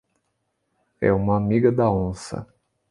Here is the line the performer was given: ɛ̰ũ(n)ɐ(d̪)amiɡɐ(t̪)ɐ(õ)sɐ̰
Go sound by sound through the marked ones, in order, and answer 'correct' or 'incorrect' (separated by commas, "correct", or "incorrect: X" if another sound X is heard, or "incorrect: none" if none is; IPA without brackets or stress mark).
incorrect: m, incorrect: none, incorrect: d̪, correct